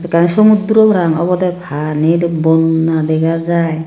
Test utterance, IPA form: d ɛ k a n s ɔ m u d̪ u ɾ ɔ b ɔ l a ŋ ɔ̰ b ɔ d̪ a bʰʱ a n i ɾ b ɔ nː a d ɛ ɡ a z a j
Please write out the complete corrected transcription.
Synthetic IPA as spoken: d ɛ k a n s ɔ m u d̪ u ɾ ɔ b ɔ ɾ a ŋ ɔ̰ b ɔ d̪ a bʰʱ a n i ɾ b ɔ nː a d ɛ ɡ a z a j